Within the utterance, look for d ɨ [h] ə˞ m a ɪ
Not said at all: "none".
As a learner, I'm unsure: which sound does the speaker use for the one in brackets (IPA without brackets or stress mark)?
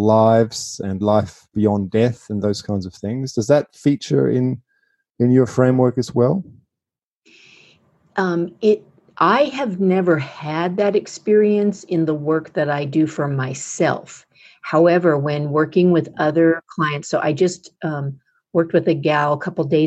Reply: f